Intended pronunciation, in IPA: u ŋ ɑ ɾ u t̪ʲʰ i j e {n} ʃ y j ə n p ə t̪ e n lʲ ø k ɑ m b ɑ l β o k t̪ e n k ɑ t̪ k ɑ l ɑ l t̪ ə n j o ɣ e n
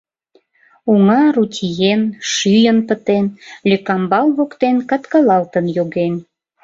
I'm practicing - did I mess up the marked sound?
no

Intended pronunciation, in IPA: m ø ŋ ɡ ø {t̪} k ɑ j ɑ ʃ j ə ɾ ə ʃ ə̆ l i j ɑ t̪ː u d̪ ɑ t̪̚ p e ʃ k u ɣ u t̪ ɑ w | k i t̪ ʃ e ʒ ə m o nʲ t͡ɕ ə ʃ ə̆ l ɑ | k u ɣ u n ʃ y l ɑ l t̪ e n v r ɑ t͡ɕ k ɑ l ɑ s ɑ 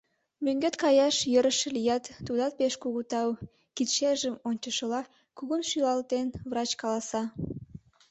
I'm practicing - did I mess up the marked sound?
no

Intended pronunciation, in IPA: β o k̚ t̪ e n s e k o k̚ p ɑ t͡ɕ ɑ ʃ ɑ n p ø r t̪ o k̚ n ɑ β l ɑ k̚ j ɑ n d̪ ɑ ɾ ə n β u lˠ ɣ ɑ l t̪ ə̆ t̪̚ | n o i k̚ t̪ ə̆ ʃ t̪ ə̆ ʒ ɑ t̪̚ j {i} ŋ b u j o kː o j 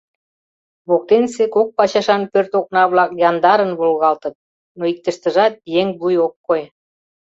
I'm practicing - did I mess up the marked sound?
yes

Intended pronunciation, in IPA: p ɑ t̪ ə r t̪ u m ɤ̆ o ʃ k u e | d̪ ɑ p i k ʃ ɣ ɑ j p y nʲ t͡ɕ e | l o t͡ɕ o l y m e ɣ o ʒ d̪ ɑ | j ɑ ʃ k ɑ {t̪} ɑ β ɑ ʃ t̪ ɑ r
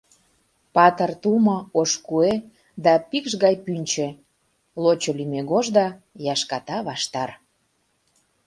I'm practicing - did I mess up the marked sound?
no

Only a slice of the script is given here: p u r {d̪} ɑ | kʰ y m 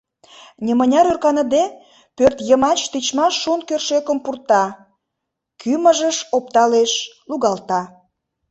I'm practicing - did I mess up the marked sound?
yes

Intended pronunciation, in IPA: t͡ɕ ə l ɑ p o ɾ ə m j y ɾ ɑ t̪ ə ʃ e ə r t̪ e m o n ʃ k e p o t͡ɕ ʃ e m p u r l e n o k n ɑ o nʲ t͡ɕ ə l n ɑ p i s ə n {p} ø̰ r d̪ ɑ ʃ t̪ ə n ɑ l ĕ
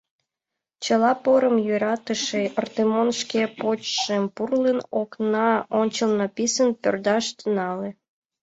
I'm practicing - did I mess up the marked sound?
no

